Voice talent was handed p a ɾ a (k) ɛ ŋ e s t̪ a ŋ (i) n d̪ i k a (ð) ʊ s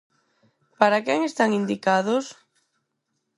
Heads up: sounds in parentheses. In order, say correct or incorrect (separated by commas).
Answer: correct, correct, correct